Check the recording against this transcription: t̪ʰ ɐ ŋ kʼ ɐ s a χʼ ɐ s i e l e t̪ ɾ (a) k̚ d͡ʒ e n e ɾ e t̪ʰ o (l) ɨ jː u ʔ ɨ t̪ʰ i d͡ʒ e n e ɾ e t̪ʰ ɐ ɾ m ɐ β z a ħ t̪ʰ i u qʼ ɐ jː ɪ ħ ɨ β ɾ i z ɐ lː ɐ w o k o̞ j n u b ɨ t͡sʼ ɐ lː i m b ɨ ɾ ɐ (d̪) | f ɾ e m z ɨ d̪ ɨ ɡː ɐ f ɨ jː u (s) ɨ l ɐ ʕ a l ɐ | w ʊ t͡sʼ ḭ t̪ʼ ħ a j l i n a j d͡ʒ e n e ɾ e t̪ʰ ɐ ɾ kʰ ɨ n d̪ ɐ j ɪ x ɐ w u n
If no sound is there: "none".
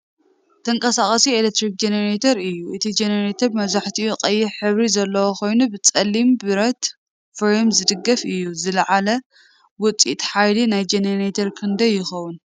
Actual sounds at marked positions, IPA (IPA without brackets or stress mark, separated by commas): i, ɾ, t̪, z